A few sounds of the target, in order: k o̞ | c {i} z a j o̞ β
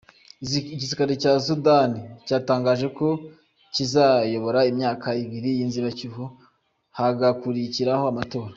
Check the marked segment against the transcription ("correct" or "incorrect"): correct